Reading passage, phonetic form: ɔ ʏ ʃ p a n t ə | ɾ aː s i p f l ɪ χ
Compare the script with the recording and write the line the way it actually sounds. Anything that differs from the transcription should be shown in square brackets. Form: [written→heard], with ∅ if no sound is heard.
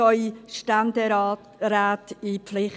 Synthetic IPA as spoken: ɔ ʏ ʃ [p→t] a n [t→d] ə | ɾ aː [s→t] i p f l ɪ χ